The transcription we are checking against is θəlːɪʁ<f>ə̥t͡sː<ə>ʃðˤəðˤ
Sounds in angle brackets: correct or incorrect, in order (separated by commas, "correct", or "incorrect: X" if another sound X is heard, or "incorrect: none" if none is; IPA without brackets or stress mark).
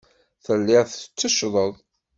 incorrect: θ, correct